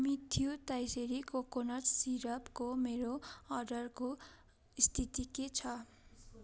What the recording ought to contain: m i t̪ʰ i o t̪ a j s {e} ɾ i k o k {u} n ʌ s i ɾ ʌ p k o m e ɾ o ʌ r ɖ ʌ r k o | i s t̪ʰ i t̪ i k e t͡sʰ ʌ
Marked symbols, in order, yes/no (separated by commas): yes, no